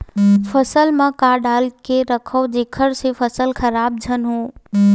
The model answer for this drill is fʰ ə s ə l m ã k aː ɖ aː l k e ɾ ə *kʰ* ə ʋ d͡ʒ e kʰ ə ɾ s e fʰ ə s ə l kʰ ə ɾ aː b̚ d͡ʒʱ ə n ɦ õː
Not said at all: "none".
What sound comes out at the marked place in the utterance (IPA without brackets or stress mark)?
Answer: kʰ